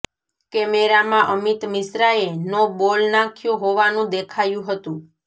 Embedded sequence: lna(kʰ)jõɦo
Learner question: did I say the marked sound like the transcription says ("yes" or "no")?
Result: yes